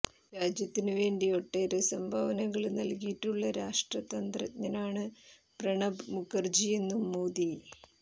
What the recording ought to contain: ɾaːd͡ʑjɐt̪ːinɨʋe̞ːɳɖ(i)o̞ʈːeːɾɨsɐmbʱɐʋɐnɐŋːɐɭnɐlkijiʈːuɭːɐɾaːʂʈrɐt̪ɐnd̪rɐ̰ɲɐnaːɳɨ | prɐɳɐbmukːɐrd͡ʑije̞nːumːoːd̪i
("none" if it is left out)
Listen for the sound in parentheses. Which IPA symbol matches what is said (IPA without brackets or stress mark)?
i